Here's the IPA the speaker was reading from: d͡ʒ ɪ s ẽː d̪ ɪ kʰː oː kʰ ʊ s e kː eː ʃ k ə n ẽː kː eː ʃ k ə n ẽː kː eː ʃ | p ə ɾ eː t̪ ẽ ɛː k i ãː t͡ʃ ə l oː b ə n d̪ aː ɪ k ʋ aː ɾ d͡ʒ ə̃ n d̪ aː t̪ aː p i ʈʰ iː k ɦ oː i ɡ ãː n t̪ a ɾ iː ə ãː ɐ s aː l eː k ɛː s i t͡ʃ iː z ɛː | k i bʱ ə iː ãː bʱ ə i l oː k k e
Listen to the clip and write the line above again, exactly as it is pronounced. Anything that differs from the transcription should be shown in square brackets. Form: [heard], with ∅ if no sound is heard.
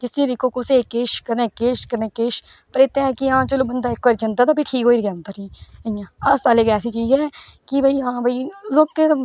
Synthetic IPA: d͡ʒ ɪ s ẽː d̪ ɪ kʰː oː [k] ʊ s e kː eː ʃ k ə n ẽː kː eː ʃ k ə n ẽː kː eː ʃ | p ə ɾ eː t̪ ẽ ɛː k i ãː t͡ʃ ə l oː b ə n d̪ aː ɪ k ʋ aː ɾ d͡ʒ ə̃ n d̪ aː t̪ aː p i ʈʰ iː k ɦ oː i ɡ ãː n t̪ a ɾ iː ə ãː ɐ s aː l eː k ɛː s i t͡ʃ iː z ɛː | k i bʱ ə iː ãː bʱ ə i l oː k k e